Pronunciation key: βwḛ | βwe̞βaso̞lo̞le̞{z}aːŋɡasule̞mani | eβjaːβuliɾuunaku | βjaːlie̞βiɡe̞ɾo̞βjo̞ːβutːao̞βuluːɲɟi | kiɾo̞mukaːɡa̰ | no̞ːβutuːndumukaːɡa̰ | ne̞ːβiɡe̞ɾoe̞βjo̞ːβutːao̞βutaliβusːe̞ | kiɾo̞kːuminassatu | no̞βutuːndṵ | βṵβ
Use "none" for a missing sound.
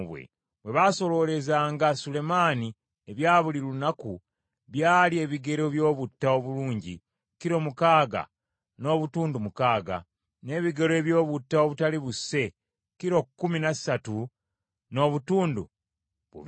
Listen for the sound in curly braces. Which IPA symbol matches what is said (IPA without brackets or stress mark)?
z